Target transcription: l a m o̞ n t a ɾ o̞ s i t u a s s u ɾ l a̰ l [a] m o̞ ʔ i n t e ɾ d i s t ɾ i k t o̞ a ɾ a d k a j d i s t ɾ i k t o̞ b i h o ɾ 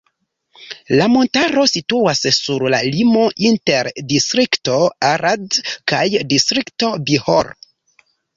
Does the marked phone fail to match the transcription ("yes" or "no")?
yes